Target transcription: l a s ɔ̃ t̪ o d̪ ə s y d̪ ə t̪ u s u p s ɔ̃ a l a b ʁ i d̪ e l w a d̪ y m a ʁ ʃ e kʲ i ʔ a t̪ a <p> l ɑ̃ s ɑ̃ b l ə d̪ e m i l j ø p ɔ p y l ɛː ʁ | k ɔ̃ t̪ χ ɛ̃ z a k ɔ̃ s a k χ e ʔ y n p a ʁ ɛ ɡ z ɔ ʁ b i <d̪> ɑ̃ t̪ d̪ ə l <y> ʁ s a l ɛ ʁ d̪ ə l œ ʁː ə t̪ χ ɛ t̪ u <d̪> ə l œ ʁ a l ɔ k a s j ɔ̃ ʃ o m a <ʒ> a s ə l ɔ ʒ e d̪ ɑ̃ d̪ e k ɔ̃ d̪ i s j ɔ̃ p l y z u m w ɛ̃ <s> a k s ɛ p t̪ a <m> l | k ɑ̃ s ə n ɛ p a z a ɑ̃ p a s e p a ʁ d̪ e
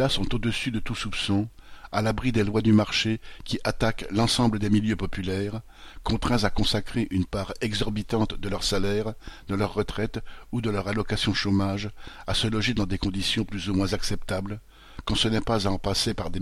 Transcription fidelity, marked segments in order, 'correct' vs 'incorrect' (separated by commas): incorrect, incorrect, incorrect, correct, correct, incorrect, incorrect